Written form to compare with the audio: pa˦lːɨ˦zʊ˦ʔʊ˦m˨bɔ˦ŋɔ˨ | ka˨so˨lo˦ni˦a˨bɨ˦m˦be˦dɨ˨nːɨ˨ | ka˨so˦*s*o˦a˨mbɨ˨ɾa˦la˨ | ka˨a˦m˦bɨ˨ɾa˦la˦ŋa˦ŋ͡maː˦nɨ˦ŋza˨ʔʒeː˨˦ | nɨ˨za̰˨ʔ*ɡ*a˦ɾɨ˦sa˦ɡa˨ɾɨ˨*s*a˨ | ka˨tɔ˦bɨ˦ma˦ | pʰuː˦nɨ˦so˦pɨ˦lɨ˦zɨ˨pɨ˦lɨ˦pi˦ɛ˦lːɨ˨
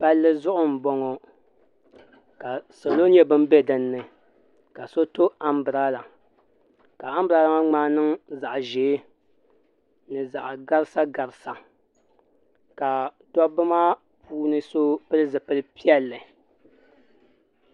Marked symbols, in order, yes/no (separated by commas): no, yes, yes